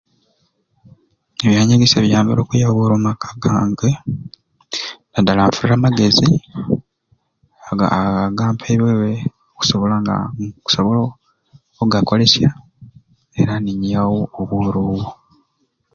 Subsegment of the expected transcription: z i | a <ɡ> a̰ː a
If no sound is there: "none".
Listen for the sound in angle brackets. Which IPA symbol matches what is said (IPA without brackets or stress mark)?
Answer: ɡ